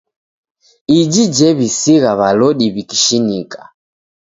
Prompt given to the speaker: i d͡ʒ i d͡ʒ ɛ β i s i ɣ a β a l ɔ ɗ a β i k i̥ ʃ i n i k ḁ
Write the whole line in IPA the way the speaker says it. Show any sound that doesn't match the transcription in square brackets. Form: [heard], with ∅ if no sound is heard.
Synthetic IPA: i d͡ʒ i d͡ʒ ɛ β i s i ɣ a β a l ɔ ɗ [i] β i k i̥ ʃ i n i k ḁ